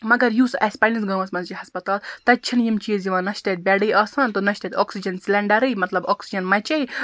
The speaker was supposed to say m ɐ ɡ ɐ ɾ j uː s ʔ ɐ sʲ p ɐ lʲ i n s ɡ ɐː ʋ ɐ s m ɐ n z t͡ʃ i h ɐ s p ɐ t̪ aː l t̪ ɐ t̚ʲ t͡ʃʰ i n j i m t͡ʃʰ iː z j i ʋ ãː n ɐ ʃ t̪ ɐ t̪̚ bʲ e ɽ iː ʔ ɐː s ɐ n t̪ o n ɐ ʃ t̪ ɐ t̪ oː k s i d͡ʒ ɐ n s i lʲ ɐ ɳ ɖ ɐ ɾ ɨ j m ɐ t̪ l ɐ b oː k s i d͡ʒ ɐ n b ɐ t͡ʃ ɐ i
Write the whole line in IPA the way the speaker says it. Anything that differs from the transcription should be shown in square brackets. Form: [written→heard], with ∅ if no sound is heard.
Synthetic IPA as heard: m ɐ ɡ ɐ ɾ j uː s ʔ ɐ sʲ p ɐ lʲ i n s ɡ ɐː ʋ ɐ s m ɐ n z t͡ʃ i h ɐ s p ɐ t̪ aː l t̪ ɐ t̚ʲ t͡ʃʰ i n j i m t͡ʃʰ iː z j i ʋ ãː n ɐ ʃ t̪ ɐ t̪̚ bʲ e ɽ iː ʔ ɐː s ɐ n t̪ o n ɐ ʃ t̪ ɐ t̪ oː k s i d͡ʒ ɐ n s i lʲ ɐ ɳ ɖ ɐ ɾ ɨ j m ɐ t̪ l ɐ b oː k s i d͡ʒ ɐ n [b→m] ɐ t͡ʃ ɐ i